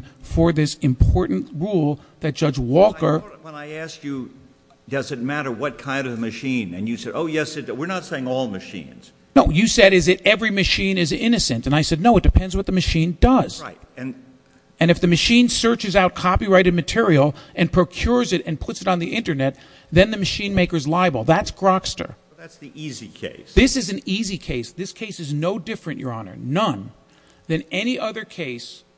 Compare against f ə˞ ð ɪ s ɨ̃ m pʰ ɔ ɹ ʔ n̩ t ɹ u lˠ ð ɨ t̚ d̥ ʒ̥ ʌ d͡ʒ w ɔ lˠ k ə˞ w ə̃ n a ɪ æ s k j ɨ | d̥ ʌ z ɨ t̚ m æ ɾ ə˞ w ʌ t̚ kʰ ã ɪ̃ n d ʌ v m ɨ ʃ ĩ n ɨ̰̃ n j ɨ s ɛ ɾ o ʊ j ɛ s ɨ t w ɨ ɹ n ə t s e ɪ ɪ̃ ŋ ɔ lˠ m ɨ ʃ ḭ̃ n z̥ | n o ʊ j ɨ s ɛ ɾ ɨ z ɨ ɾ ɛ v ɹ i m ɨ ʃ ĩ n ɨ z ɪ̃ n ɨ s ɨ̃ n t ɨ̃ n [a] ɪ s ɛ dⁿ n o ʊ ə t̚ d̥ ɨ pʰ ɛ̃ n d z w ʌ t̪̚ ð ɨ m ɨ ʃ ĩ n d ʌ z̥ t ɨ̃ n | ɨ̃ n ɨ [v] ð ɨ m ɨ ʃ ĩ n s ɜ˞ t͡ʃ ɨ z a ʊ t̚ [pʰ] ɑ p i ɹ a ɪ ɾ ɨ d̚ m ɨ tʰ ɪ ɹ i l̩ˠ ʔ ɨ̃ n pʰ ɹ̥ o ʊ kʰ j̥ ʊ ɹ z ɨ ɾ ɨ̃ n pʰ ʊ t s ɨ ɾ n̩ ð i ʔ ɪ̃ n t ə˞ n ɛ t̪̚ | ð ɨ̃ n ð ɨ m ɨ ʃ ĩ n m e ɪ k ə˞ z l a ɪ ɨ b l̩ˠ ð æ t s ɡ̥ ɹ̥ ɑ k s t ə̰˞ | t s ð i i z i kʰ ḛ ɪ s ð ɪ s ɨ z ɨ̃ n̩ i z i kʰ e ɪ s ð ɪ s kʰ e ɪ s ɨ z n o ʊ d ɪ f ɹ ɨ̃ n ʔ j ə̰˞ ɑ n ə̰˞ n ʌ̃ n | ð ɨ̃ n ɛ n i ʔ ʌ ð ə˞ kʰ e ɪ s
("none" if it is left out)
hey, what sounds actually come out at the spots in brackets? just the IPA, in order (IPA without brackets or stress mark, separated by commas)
a, f, kʰ